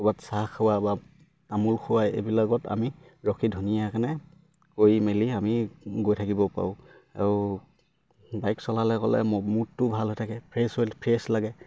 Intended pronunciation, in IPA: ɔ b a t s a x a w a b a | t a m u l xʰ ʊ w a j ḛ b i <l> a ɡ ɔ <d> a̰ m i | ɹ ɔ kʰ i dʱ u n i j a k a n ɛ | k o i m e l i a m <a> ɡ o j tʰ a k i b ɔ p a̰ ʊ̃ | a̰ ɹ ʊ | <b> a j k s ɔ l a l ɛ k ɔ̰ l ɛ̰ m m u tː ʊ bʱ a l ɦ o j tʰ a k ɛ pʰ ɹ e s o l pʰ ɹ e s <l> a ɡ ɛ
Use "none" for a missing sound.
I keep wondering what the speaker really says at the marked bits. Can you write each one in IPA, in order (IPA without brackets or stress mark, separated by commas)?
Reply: l, t, i, b, l